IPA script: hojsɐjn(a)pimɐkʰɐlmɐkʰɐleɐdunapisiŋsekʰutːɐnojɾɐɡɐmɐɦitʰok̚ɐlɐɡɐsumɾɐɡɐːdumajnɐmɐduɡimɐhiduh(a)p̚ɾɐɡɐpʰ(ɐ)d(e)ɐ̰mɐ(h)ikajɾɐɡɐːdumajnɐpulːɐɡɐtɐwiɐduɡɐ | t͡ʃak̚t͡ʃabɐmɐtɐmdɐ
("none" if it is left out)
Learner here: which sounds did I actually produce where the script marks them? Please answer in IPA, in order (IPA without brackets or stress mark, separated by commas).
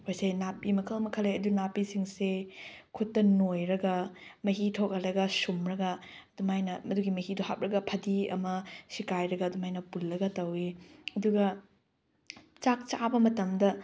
a, a, ɐ, i, s